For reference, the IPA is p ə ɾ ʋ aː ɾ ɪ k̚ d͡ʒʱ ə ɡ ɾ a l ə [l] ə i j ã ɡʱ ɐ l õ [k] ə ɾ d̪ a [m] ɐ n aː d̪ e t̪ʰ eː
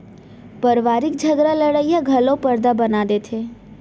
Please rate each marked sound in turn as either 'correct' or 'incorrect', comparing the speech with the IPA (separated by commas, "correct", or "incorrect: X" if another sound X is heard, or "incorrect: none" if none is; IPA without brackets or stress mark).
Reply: incorrect: ɽ, incorrect: p, incorrect: b